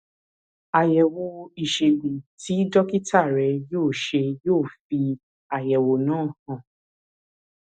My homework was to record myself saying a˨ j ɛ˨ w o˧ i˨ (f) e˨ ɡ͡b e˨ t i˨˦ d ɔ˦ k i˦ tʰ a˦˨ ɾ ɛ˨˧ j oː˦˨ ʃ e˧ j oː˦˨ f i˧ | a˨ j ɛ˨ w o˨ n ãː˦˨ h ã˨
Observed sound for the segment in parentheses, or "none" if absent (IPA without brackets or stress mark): ʃ